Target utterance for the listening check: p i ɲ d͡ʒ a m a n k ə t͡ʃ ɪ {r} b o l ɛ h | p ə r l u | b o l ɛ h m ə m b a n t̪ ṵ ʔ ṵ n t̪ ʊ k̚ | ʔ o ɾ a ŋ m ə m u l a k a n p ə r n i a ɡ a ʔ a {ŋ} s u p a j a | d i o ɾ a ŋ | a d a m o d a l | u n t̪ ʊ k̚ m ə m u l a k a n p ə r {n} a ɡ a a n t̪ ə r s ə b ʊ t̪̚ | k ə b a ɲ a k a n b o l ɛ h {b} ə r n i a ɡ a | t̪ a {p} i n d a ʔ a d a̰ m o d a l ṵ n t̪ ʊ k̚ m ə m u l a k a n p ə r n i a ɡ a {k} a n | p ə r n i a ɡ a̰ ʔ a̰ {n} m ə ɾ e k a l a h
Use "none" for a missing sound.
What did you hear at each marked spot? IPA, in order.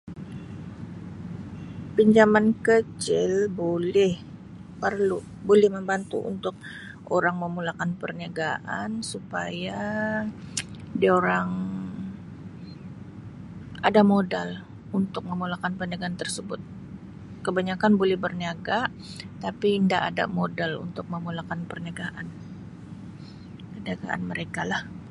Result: l, n, n, b, p, ʔ, n

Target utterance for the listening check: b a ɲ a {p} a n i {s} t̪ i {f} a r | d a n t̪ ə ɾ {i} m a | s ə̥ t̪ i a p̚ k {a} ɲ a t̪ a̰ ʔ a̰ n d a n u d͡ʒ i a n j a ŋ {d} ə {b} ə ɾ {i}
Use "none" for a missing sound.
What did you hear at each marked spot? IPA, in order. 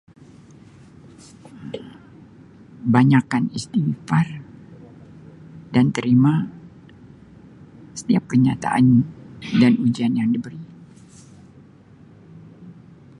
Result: k, s, f, i, ə, d, b, i

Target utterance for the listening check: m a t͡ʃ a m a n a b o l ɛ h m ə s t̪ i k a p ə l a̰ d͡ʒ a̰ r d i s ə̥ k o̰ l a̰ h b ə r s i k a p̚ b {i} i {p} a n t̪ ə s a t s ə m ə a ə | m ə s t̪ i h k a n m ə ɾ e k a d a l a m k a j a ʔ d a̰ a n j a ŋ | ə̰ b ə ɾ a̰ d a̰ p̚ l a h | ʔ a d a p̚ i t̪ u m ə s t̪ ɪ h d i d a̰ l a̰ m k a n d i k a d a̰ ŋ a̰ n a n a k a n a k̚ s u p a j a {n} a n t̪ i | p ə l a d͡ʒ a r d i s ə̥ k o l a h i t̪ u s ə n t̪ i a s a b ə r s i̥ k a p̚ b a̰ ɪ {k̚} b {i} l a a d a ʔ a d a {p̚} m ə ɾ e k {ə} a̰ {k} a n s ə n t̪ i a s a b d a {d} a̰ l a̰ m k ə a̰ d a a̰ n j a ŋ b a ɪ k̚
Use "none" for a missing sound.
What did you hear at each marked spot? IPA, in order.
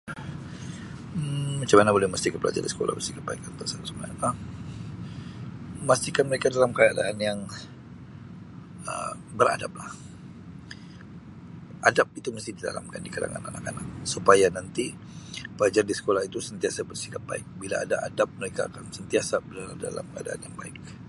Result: a, k, n, k̚, i, p̚, a, k, d

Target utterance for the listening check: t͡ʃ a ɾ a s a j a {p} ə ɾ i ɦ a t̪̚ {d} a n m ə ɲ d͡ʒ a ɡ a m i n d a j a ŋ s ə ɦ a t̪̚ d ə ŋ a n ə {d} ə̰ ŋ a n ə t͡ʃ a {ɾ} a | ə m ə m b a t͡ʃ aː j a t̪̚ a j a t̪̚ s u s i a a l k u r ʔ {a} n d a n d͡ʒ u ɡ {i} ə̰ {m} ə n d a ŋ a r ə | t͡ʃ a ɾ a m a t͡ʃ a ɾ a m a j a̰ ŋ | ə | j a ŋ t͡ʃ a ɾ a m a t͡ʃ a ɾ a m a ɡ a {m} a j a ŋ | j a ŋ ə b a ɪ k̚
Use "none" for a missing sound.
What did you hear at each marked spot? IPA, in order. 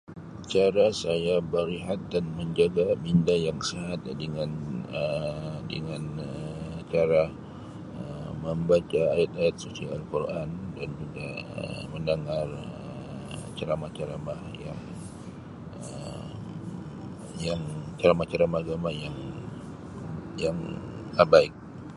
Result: b, d, d, ɾ, a, a, m, m

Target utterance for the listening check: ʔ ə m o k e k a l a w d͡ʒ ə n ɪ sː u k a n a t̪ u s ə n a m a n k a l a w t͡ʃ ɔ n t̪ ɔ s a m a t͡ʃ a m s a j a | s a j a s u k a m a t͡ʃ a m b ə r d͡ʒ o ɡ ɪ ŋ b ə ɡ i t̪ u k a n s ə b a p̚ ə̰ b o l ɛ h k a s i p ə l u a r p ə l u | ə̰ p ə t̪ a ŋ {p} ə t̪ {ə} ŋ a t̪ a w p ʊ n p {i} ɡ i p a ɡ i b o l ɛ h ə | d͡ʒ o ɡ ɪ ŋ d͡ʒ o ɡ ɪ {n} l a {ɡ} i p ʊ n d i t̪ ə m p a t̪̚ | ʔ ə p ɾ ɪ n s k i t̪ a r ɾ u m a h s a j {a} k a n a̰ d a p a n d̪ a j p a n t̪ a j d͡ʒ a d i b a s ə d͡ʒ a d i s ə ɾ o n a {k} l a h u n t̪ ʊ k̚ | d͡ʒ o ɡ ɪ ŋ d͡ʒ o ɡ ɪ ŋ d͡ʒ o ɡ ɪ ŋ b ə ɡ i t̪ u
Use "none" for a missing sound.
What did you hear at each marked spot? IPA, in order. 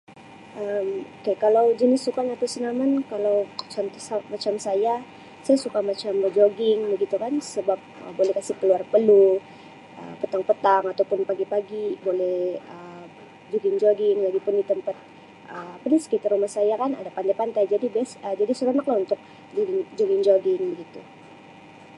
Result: p, a, a, ŋ, ɡ, a, k

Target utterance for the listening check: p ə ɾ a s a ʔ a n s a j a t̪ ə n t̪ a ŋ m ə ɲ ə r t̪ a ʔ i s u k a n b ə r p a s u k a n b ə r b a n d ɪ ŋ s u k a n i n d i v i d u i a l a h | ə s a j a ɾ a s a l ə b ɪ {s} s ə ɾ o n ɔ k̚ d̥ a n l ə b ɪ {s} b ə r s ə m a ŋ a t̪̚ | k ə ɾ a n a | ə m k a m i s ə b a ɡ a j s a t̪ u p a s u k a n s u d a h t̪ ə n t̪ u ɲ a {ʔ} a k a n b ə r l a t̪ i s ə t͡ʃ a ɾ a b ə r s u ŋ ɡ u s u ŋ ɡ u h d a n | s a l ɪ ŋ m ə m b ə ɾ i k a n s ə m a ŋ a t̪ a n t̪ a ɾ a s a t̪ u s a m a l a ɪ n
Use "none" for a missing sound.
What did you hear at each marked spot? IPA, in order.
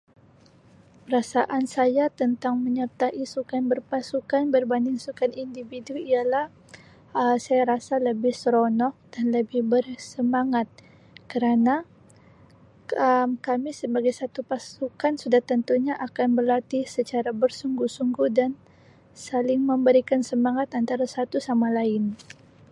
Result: h, h, ʔ

